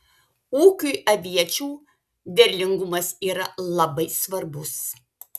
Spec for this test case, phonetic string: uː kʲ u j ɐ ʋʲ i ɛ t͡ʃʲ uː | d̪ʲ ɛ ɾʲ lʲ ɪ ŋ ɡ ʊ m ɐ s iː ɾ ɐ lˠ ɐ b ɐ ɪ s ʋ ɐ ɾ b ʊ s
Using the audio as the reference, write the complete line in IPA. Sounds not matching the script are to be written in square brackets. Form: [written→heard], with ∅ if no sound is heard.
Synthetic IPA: uː kʲ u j ɐ ʋʲ i ɛ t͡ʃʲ uː | d̪ʲ ɛ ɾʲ lʲ ɪ ŋ ɡ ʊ m ɐ s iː ɾ ɐ lˠ ɐ b ɐ ɪ s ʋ ɐ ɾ b ʊ s